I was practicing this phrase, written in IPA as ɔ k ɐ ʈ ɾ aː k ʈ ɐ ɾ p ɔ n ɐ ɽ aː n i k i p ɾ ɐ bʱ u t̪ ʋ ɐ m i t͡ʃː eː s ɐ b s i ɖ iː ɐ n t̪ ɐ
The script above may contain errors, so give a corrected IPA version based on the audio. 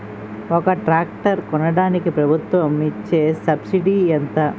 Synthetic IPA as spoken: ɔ k ɐ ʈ ɾ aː k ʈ ɐ ɾ k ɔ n ɐ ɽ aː n i k i p ɾ ɐ bʱ u t̪ ʋ ɐ m i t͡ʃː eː s ɐ b s i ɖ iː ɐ n t̪ ɐ